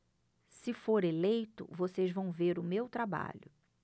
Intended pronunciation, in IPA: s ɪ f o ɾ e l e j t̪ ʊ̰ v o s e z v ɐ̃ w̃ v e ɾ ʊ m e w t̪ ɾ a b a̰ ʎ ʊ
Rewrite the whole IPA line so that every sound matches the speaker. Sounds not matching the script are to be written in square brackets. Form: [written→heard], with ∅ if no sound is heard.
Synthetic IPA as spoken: s ɪ f o ɾ e l e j t̪ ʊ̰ v o s e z v ɐ̃ w̃ v e ɾ ʊ m e w t̪ ɾ a b a̰ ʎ ʊ